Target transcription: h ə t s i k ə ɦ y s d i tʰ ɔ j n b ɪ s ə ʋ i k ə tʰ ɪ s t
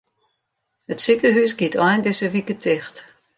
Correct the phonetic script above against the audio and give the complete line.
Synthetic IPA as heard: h ə t s i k ə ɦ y s ɡ i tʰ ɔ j n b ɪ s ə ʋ i k ə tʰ ɪ x t